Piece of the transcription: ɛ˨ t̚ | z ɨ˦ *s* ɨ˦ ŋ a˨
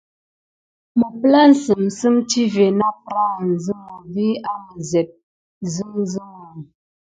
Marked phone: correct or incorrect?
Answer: incorrect: z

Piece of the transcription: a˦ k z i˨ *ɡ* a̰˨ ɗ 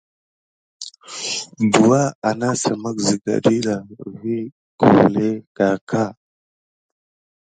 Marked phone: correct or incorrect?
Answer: correct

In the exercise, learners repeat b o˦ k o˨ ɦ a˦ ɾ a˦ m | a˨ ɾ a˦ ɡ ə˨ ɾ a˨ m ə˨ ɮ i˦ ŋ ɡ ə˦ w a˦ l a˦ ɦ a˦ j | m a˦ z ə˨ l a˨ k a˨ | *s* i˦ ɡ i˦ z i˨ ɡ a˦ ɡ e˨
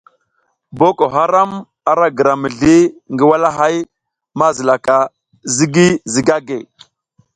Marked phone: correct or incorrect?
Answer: incorrect: z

